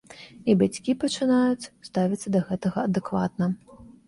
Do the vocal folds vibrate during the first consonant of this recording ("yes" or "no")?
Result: yes